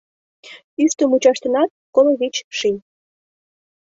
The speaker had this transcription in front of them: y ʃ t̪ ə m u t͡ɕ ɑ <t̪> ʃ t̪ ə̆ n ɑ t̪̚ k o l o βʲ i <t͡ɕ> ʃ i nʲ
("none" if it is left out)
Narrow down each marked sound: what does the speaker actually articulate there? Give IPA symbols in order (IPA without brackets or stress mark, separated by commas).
none, t͡ɕ